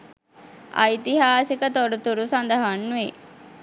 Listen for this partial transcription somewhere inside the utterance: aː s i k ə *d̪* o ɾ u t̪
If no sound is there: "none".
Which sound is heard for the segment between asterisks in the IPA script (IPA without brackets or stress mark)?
t̪